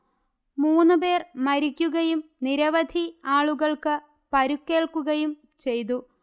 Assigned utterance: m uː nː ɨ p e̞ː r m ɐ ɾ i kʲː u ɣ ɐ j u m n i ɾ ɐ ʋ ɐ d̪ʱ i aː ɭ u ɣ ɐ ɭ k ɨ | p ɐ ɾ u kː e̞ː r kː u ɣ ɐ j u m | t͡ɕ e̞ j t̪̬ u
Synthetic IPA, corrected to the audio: m uː nː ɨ p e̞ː r m ɐ ɾ i kʲː u ɣ ɐ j u m n i ɾ ɐ ʋ ɐ d̪ʱ i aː ɭ u ɣ ɐ ɭ k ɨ | p ɐ ɾ u kː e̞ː ɭ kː u ɣ ɐ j u m | t͡ɕ e̞ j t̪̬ u